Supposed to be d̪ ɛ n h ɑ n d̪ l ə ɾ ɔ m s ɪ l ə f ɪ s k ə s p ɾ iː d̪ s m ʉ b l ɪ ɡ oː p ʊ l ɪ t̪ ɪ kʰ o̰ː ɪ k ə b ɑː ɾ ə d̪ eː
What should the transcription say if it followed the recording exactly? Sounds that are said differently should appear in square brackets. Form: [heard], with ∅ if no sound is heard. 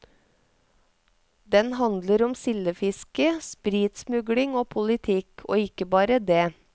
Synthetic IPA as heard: d̪ ɛ n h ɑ n d̪ l ə ɾ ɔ m s ɪ l ə f ɪ s k ə s p ɾ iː [t̪] s m ʉ [ɡ] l ɪ [ŋ] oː [pʰ] ʊ l ɪ [t̪ʰ] ɪ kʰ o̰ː ɪ k ə b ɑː ɾ ə d̪ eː

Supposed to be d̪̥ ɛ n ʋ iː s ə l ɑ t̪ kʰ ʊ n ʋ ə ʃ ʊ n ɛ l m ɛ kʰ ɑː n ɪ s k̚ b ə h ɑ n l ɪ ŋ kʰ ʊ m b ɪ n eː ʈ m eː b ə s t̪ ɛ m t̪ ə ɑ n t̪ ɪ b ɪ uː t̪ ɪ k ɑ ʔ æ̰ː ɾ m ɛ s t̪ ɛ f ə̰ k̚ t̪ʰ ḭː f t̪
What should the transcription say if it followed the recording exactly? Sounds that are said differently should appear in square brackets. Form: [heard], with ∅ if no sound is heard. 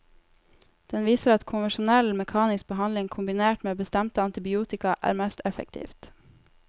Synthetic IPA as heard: d̪̥ ɛ n ʋ iː s ə [ɾ] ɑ t̪ kʰ ʊ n ʋ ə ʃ ʊ n ɛ l m ɛ kʰ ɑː n ɪ s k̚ b ə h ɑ n l ɪ ŋ kʰ ʊ m b ɪ n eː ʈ m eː b ə s t̪ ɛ m t̪ ə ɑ n t̪ ɪ b ɪ uː t̪ ɪ k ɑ ʔ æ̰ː ɾ m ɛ s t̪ ɛ f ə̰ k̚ t̪ʰ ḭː f t̪

